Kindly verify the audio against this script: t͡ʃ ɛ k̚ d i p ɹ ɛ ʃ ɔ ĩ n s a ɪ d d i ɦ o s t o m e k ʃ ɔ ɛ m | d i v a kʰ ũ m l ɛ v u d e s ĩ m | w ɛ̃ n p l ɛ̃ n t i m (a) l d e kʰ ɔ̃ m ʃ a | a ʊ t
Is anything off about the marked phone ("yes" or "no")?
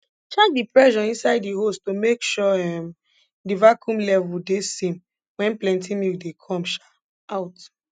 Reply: yes